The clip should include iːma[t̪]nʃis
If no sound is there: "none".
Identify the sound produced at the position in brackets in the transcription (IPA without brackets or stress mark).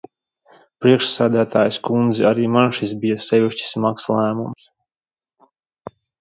none